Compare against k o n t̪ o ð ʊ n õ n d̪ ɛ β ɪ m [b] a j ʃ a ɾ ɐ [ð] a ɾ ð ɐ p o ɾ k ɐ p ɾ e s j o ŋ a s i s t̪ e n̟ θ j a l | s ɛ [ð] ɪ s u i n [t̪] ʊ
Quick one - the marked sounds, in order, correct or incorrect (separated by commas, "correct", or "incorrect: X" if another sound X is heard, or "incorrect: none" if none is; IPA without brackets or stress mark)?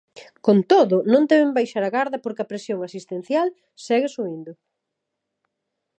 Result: correct, incorrect: ɣ, incorrect: ɣ, incorrect: d̪